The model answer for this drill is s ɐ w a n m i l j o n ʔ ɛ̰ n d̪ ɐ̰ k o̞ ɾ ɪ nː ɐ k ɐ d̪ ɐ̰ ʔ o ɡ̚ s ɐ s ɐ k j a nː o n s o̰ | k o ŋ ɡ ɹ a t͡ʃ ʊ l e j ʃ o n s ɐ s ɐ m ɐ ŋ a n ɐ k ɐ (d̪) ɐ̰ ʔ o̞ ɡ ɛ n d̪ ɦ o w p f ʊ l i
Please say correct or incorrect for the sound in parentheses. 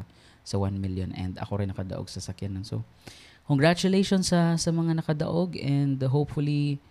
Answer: correct